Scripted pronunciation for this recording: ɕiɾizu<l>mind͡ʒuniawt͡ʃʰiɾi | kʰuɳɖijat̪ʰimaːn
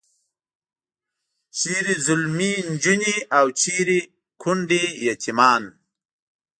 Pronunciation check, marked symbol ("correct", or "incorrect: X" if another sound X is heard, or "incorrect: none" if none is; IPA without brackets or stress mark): correct